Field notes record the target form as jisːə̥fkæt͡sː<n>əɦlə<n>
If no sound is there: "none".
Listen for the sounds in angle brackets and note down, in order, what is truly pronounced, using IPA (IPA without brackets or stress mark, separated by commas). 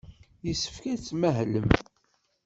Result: m, m